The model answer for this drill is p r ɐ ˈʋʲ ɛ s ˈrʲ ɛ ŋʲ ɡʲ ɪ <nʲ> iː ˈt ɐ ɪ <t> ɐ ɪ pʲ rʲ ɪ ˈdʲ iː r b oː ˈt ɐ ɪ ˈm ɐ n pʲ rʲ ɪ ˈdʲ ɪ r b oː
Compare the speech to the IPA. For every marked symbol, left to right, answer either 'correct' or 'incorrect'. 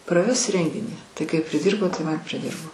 correct, incorrect

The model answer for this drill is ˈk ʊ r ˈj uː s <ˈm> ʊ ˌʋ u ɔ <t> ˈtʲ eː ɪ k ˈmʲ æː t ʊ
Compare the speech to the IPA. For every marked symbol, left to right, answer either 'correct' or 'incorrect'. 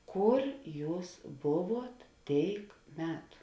incorrect, correct

